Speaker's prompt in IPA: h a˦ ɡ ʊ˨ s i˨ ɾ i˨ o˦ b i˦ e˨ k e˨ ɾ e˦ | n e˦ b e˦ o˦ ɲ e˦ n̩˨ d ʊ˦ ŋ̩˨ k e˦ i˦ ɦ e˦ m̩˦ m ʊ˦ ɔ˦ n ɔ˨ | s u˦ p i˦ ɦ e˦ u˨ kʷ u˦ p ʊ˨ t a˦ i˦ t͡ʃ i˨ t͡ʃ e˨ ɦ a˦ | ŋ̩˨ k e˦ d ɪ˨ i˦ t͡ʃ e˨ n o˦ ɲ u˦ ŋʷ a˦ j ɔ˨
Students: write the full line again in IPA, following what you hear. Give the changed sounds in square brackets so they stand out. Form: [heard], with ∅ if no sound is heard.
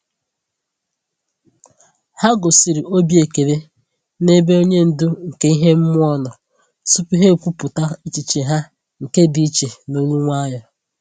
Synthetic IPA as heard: h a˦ ɡ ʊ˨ s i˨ ɾ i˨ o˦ b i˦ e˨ k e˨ ɾ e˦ | n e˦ b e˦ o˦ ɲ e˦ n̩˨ d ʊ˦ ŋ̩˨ k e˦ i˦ ɦ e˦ m̩˦ m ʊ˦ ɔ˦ n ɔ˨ | s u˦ p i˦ ɦ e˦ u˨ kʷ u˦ p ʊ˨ t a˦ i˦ t͡ʃ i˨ t͡ʃ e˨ ɦ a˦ | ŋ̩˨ k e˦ d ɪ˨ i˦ t͡ʃ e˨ n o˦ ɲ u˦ ŋʷ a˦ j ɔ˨